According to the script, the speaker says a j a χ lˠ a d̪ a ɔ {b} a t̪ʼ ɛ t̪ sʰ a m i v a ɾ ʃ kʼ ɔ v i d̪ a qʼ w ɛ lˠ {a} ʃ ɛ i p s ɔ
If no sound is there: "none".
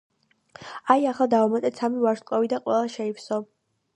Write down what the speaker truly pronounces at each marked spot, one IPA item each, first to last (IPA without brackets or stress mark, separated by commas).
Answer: m, a